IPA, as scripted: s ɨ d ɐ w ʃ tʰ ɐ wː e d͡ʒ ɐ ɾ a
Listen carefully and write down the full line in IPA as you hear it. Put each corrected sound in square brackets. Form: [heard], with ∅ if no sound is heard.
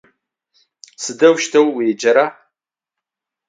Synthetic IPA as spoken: s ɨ d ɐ w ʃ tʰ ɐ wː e d͡ʒ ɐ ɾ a